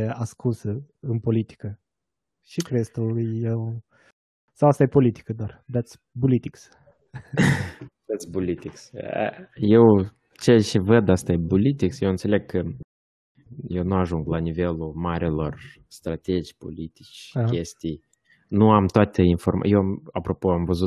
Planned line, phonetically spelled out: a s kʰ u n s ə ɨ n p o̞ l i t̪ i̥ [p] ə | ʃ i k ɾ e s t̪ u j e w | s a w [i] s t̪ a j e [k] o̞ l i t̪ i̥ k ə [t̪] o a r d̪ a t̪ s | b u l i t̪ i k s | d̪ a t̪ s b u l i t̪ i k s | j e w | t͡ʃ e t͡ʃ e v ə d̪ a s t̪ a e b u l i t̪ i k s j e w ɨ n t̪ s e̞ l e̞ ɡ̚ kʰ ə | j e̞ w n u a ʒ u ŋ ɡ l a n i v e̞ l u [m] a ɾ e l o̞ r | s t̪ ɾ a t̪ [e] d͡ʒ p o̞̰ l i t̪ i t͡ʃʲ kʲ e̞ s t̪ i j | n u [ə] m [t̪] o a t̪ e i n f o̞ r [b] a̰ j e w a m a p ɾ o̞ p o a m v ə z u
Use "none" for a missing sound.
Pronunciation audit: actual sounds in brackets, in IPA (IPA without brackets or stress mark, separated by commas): k, a, p, d̪, m, e, a, t̪, m